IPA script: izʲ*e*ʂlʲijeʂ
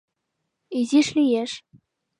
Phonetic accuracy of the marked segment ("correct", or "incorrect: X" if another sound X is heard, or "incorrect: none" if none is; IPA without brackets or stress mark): incorrect: i